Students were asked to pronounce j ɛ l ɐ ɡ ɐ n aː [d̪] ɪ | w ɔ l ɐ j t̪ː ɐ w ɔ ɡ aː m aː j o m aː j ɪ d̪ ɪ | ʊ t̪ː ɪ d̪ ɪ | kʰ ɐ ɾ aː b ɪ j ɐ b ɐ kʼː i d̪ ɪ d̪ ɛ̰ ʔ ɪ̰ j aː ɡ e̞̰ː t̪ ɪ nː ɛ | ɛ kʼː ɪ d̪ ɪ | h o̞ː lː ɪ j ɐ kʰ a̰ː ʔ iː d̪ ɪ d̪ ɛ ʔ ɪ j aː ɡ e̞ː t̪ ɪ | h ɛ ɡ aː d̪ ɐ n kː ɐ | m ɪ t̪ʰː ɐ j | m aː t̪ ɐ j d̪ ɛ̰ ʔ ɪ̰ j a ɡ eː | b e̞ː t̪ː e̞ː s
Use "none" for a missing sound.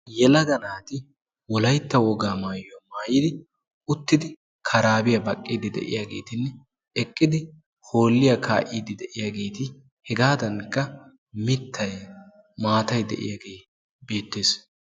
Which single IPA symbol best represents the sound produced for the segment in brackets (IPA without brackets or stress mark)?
t̪